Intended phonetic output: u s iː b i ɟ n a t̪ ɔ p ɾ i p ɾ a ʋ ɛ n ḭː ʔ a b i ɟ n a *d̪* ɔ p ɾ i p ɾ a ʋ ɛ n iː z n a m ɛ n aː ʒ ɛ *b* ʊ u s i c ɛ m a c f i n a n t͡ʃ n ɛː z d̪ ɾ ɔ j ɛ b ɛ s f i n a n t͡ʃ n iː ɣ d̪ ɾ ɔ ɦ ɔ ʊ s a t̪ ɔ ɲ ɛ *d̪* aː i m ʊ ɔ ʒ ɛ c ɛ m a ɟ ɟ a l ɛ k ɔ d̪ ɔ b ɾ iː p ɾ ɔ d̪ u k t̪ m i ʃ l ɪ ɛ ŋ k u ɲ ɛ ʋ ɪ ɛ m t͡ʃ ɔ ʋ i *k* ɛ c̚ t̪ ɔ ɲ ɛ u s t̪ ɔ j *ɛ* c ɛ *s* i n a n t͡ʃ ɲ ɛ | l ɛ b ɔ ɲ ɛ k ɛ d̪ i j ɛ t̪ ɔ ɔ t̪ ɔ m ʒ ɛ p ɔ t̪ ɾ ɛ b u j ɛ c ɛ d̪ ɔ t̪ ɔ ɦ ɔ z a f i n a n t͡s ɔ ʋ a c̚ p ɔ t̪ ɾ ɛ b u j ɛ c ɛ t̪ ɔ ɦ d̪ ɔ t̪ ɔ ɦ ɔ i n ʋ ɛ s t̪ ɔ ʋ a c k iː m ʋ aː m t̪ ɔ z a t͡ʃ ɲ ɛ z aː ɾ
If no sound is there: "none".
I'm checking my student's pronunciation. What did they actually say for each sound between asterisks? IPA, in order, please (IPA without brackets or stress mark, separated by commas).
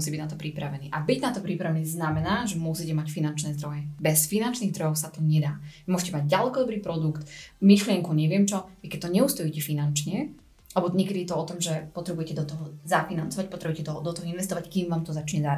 t̪, m, d̪, k, i, f